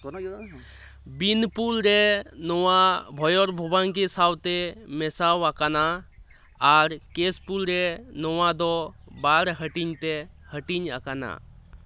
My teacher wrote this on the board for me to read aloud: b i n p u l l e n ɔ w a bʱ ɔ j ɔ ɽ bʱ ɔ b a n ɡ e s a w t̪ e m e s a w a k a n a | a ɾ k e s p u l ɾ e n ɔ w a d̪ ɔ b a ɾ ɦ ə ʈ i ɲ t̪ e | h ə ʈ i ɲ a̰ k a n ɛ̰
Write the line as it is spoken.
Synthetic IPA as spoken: b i n p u l ɾ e n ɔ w a bʱ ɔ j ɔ ɾ bʱ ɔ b a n k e s a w t̪ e m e s a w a k a n a | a ɾ k e s p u l ɾ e n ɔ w a d̪ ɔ b a ɾ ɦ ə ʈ i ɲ t̪ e | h ə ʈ i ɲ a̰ k a n a̰